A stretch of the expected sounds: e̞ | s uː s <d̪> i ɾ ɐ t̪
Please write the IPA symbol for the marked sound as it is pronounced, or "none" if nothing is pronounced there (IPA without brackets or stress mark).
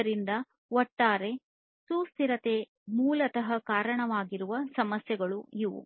t̪